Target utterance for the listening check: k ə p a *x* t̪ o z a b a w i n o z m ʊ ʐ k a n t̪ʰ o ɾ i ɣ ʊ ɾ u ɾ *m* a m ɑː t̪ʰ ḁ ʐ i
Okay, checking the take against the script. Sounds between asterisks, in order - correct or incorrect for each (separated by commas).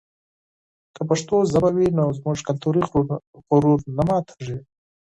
incorrect, incorrect